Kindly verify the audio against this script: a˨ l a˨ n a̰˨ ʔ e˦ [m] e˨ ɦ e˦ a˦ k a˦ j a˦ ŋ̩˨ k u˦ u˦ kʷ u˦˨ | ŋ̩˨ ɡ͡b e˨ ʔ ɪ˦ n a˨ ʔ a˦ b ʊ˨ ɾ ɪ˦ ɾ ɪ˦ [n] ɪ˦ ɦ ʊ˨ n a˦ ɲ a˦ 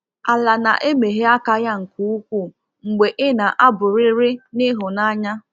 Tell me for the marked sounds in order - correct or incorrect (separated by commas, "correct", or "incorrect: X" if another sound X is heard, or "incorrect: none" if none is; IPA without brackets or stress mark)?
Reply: correct, correct